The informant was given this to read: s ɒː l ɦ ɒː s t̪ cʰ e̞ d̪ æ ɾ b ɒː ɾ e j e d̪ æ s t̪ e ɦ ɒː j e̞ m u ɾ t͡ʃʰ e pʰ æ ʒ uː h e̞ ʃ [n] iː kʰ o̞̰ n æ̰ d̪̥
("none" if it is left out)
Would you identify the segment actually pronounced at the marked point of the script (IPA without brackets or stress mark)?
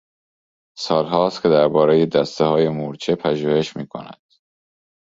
m